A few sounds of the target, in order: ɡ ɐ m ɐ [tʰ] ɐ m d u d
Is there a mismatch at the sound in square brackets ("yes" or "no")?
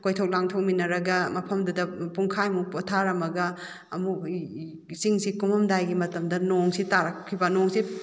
yes